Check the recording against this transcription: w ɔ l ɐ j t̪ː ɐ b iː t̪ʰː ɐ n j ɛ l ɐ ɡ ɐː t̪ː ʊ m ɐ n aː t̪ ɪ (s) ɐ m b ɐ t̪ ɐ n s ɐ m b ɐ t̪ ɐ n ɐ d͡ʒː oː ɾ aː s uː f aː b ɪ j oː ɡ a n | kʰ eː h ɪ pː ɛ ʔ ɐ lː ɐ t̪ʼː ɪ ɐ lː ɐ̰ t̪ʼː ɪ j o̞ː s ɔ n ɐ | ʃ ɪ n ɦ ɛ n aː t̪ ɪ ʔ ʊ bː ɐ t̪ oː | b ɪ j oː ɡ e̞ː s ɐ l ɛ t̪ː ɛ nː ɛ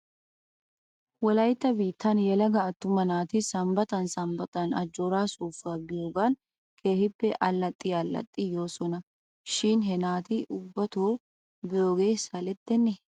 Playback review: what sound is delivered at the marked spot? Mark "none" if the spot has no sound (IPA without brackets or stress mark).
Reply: s